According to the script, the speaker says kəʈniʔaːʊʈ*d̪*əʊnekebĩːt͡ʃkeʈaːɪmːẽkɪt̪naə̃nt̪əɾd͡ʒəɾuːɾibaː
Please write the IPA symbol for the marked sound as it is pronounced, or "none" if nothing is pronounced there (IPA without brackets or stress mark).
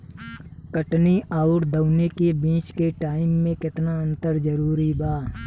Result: d̪